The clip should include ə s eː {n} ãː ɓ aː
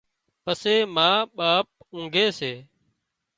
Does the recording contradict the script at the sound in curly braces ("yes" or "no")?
yes